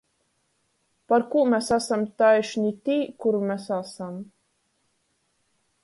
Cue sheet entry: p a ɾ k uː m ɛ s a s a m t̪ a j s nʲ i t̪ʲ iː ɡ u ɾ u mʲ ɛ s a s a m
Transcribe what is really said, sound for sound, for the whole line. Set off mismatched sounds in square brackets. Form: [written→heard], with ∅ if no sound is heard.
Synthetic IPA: p a ɾ k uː m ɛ s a s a m t̪ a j [s→ʃ] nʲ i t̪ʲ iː [ɡ→k] u ɾ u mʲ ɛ s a s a m